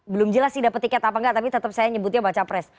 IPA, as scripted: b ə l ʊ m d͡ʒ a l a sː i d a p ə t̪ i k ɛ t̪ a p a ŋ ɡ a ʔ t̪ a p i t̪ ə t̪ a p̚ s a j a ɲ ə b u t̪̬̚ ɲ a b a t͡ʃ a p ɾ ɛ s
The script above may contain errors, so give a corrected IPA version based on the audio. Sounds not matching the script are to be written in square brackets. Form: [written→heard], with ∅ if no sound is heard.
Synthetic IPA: b ə l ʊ m d͡ʒ [a→ə] l a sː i d a p ə t̪ i k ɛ t̪ a p a ŋ ɡ a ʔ t̪ a p i t̪ ə t̪ [a→ə] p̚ s a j a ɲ ə b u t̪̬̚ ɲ a b a t͡ʃ a p ɾ ɛ s